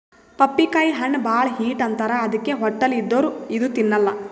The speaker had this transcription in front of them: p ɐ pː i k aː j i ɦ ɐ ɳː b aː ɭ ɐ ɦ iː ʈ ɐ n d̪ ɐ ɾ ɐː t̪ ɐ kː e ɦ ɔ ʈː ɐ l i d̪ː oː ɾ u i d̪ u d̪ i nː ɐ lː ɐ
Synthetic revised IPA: p ɐ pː i k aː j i ɦ ɐ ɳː b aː ɭ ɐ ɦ iː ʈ ɐ n t̪ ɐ ɾ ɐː d̪ ɐ kː e ɦ ɔ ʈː ɐ l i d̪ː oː ɾ u i d̪ u t̪ i nː ɐ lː ɐ

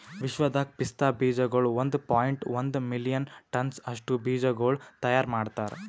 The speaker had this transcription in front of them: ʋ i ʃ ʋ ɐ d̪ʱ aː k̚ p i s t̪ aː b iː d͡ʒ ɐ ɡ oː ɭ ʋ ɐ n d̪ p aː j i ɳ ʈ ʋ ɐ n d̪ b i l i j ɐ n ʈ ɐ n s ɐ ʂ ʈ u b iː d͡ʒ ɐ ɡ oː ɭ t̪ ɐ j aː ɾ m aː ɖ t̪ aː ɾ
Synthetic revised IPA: ʋ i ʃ ʋ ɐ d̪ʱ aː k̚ p i s t̪ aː b iː d͡ʒ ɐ ɡ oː ɭ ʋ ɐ n d̪ p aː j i ɳ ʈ ʋ ɐ n d̪ m i l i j ɐ n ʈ ɐ n s ɐ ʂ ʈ u b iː d͡ʒ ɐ ɡ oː ɭ t̪ ɐ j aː ɾ m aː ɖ t̪ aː ɾ

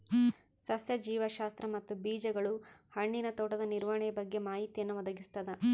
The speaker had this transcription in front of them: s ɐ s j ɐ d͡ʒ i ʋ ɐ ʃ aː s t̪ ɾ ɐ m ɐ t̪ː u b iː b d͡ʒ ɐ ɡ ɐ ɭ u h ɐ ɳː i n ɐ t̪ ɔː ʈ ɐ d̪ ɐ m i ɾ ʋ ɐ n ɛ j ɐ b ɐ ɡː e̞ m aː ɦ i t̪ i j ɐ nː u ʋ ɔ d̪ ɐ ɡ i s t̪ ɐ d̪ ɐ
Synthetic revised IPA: s ɐ s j ɐ d͡ʒ iː ʋ ɐ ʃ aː s t̪ ɾ ɐ m ɐ t̪ː u b iː d͡ʒ ɐ ɡ ɐ ɭ u h ɐ ɳː i n ɐ t̪ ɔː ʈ ɐ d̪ ɐ n i ɾ ʋ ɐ ɳ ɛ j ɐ b ɐ ɡː e̞ m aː ɦ i t̪ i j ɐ nː u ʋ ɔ d̪ ɐ ɡ i s t̪ ɐ d̪ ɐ

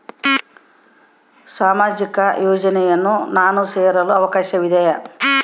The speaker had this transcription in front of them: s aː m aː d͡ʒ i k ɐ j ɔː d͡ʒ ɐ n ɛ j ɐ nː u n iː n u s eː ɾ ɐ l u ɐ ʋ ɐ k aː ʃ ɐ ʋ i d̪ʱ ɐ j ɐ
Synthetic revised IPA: s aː m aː d͡ʒ i k ɐ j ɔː d͡ʒ ɐ n ɛ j ɐ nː u n aː n u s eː ɾ ɐ l u ɐ ʋ ɐ k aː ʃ ɐ ʋ i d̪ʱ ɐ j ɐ

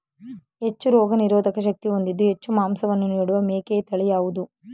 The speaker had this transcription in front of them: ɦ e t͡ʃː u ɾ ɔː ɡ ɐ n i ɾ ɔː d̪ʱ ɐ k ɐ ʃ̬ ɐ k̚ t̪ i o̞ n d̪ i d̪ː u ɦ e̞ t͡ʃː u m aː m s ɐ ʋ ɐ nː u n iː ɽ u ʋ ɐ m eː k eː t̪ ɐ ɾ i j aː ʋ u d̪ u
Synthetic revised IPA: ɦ e t͡ʃː u ɾ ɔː ɡ ɐ n i ɾ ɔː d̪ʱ ɐ k ɐ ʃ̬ ɐ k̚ t̪ i o̞ n d̪ i d̪ː u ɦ e̞ t͡ʃː u m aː m s ɐ ʋ ɐ nː u n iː ɽ u ʋ ɐ m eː k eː t̪ ɐ ɭ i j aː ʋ u d̪ u

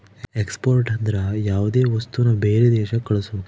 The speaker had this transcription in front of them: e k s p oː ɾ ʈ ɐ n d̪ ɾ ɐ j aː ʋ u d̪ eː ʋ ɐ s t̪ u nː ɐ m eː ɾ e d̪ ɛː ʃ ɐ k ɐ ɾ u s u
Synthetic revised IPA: e k s p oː ɾ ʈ ɐ n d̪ ɾ ɐ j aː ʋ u d̪ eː ʋ ɐ s t̪ u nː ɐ b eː ɾ e d̪ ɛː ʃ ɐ k ɐ ɭ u s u

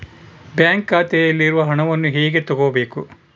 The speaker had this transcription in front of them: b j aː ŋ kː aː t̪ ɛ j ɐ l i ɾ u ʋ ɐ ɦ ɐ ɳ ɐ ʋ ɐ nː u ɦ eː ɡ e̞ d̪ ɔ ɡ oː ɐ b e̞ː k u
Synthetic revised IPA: b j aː ŋ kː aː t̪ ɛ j ɐ lː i ɾ u ʋ ɐ ɦ ɐ ɳ ɐ ʋ ɐ nː u ɦ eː ɡ e̞ t̪ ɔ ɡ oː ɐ b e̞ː k u

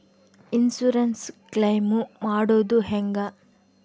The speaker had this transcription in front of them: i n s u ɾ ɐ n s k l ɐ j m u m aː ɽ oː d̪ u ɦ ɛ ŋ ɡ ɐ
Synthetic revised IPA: i n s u ɾ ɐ n s k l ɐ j m u m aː ɽ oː d̪ u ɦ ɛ ŋ ɡ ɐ

